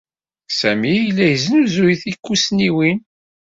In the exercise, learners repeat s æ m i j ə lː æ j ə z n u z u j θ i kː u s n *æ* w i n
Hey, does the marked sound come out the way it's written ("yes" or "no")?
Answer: no